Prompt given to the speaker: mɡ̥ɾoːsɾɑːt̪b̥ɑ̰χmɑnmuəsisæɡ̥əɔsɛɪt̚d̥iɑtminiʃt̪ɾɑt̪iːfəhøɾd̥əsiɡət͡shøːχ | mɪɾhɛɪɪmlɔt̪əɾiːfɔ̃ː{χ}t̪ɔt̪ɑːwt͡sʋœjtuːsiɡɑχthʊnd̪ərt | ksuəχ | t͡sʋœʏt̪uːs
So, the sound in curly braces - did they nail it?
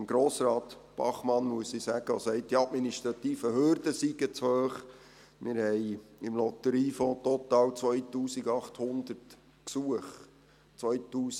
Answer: no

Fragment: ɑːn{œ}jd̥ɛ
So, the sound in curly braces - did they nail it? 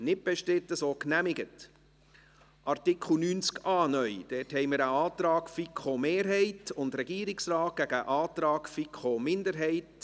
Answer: yes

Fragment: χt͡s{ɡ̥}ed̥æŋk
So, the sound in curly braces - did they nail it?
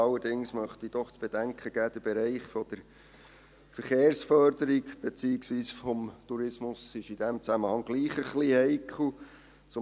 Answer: no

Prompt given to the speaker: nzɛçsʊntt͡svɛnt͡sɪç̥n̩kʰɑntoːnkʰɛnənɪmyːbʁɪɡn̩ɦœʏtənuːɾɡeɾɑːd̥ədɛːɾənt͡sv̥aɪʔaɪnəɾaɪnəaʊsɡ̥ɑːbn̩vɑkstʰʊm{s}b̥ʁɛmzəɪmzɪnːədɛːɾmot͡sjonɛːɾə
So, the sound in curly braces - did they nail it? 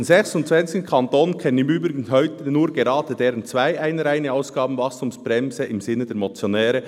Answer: yes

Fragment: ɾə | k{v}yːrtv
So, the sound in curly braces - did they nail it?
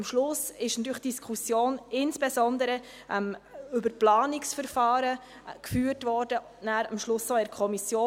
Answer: no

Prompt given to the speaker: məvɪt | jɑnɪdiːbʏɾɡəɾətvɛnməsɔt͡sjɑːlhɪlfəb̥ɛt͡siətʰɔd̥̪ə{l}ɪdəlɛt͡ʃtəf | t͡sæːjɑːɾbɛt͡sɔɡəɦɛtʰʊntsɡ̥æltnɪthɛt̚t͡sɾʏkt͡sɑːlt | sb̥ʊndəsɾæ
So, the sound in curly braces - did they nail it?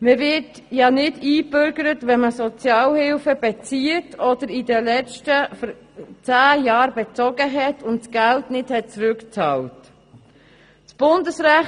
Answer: no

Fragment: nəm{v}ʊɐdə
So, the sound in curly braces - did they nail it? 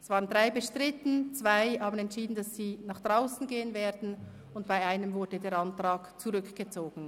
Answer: yes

